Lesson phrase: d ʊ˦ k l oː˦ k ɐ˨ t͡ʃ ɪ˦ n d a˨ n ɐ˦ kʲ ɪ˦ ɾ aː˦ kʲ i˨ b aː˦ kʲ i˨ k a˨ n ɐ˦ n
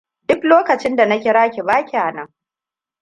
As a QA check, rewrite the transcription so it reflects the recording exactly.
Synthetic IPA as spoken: d ʊ˦ k l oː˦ k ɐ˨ t͡ʃ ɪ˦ n d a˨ n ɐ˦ kʲ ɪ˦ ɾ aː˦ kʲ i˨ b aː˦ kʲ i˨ ʔ a˨ n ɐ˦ ŋ